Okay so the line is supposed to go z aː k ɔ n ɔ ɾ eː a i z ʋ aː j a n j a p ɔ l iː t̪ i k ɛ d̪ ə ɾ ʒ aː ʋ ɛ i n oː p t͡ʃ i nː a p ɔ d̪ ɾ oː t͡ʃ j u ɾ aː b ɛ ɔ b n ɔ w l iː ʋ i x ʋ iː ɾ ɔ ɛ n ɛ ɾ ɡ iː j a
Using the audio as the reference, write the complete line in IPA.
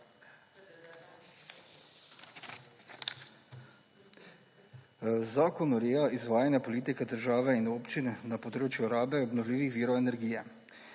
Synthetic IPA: z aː k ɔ n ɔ ɾ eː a i z ʋ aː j a n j a p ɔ l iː t̪ i k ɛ d̪ ə ɾ ʒ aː ʋ ɛ i n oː p t͡ʃ i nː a p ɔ d̪ ɾ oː t͡ʃ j u ɾ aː b ɛ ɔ b n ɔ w l iː ʋ i x ʋ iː ɾ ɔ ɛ n ɛ ɾ ɡ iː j ɛ